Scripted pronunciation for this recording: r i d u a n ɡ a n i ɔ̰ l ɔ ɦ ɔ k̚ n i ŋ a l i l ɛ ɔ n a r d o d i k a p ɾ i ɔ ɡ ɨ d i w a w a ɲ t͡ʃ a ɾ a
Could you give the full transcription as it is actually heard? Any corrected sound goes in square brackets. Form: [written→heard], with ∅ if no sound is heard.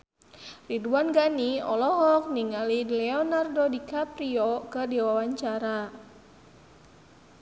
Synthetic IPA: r i d u a n ɡ a n i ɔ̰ l ɔ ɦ ɔ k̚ n i ŋ a l i l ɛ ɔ n a r d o d i k a p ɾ i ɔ [ɡ→k] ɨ d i w a w a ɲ t͡ʃ a ɾ a

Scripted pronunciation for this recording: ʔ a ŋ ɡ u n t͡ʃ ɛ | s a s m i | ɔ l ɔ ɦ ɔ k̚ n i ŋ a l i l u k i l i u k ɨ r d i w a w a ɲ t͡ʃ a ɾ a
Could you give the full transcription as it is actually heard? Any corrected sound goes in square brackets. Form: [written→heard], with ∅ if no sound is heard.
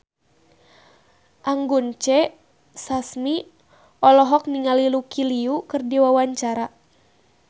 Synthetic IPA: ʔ a ŋ ɡ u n t͡ʃ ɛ | s a s m i | ɔ l ɔ ɦ ɔ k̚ n i ŋ a l i l u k i l i u k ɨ r d i w a w a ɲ t͡ʃ a ɾ a

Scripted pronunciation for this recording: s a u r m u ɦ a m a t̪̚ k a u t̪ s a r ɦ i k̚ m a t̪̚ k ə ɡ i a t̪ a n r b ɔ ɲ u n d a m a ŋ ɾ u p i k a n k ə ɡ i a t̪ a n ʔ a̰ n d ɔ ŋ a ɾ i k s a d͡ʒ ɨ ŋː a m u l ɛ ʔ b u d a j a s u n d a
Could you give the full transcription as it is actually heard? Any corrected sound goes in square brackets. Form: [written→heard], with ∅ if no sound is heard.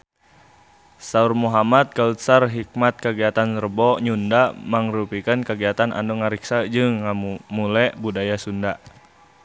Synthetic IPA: s a u r m u ɦ a m a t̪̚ k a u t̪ s a r ɦ i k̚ m a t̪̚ k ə ɡ i a t̪ a n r b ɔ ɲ u n d a m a ŋ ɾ u p i k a n k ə ɡ i a t̪ a n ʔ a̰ n d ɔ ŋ a ɾ i k s a d͡ʒ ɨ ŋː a m u l ɛ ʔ b u d a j a s u n d a

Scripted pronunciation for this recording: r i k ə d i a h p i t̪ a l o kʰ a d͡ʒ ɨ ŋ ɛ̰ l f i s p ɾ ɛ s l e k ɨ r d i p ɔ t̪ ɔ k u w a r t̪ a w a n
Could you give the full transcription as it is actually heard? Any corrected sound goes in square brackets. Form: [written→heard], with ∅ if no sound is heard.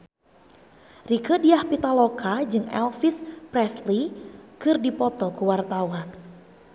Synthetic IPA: r i k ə d i a h p i t̪ a l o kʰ a d͡ʒ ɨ ŋ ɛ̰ l f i s p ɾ ɛ s l [e→i] k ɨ r d i p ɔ t̪ ɔ k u w a r t̪ a w a n

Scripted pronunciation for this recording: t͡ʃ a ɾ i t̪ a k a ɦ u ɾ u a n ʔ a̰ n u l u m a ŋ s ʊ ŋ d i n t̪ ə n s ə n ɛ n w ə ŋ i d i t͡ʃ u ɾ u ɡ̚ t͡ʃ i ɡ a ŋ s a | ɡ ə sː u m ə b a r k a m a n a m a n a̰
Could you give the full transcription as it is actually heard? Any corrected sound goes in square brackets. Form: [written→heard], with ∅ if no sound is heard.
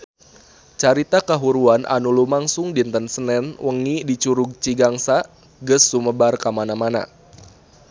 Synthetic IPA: t͡ʃ a ɾ i t̪ a k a ɦ u ɾ u a n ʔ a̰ n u l u m a ŋ s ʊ ŋ d i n t̪ ə n s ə n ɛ n w ə ŋ i d i t͡ʃ u ɾ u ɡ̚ t͡ʃ i ɡ a ŋ s a | ɡ ə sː u m ə b a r k a m a n a m a n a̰

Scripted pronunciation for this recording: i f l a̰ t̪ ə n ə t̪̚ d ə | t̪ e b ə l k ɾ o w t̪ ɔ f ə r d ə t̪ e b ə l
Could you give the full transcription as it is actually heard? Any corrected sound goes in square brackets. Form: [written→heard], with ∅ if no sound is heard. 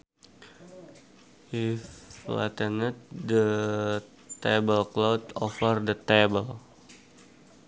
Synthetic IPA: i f l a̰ t̪ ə n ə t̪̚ d ə | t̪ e b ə l k [ɾ→l] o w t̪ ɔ f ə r d ə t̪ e b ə l

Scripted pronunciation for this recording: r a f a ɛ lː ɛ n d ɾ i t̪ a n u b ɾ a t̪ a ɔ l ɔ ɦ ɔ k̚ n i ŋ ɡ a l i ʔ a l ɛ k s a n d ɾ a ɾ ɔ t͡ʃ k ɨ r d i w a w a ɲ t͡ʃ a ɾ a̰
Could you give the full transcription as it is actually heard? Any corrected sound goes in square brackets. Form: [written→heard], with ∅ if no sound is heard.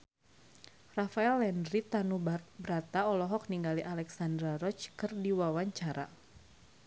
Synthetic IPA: r a f a ɛ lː ɛ n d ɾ i t̪ a n u b ɾ a t̪ a ɔ l ɔ ɦ ɔ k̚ n i ŋ ɡ a l i ʔ a l ɛ k s a n d ɾ a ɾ ɔ t͡ʃ k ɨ r d i w a w a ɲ t͡ʃ a ɾ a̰

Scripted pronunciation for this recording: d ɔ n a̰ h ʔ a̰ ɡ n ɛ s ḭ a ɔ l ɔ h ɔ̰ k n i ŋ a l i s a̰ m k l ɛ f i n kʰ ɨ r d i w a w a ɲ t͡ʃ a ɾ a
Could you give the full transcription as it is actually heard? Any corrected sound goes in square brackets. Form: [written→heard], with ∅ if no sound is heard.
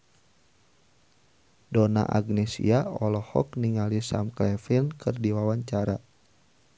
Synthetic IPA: d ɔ n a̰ [h→∅] ʔ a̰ ɡ n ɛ s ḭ a ɔ l ɔ h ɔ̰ k n i ŋ a l i s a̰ m k l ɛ f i n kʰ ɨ r d i w a w a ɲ t͡ʃ a ɾ a

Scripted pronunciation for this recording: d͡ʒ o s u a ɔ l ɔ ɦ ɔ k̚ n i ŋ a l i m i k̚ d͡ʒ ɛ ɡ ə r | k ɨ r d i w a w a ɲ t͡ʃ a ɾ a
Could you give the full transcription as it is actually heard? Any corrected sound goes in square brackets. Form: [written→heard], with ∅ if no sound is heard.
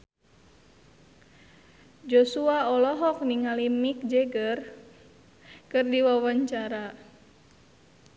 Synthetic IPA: d͡ʒ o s u a ɔ l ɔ ɦ ɔ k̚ n i ŋ a l i m i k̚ d͡ʒ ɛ ɡ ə r | k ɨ r d i w a w a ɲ t͡ʃ a ɾ a

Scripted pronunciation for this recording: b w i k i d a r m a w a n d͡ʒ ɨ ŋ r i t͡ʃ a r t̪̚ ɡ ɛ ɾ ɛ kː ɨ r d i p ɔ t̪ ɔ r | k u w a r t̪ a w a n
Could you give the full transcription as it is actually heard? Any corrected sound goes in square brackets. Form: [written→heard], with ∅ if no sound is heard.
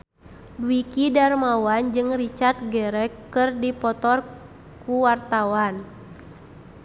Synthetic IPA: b w i k i d a r m a w a n d͡ʒ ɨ ŋ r i t͡ʃ a r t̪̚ ɡ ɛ ɾ ɛ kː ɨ r d i p ɔ t̪ ɔ r | k u w a r t̪ a w a n

